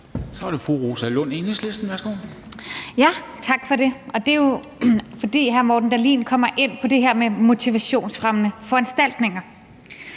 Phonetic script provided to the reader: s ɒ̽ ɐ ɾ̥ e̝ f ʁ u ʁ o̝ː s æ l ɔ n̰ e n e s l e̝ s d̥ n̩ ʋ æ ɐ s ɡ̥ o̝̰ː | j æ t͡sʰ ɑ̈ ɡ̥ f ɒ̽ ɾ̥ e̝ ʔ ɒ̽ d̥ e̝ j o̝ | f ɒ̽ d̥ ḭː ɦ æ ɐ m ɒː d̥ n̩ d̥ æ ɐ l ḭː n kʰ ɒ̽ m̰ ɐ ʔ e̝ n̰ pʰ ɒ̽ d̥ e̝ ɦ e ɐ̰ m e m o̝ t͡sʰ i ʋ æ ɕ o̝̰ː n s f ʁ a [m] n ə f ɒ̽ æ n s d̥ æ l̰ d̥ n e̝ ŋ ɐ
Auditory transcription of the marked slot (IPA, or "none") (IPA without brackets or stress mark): m